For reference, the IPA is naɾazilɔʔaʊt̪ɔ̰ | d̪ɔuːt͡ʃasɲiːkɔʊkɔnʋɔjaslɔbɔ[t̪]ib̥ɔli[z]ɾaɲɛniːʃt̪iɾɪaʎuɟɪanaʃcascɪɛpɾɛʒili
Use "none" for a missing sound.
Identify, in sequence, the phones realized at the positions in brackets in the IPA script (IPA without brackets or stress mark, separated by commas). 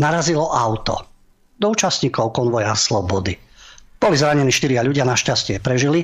d̪, z